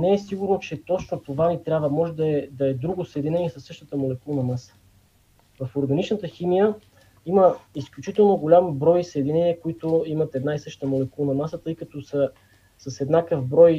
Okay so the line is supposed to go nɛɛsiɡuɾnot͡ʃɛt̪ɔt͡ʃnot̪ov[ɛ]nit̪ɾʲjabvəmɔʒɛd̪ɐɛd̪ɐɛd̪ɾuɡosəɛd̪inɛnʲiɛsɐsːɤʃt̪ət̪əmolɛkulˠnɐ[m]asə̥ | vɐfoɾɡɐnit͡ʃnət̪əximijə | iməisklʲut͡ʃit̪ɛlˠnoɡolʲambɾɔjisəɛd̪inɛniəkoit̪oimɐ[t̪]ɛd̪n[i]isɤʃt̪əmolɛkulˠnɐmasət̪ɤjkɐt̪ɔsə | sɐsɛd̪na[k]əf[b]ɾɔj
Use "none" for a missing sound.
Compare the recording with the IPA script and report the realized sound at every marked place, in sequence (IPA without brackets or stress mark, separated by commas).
a, m, t̪, a, k, b